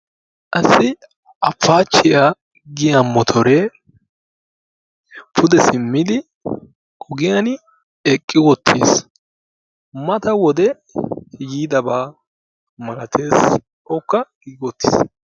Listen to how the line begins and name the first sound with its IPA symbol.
ʔ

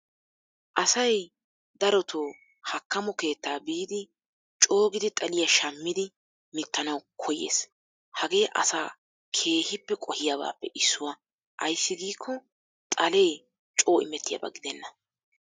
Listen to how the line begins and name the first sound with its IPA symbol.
ʔ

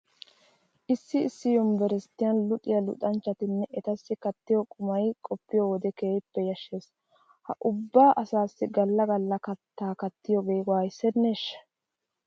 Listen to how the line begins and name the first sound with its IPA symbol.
ʔ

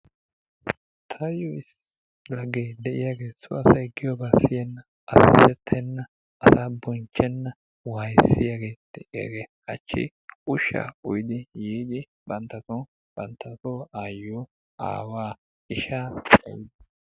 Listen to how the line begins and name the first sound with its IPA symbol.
t̪ʰ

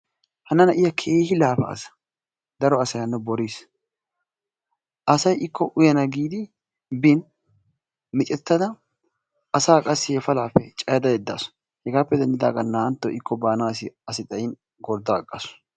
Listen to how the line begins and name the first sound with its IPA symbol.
h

